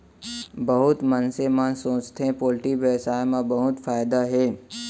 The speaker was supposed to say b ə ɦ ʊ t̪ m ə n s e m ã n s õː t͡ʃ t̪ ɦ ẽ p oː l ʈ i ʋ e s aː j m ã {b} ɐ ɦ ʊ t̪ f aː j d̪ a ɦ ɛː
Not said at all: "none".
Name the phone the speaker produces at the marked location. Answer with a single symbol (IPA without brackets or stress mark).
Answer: b